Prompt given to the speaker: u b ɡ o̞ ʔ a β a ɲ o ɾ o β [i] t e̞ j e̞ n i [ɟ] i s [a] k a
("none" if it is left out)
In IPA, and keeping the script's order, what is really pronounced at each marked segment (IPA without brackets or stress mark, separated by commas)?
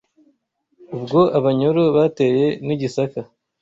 a, ɟ, a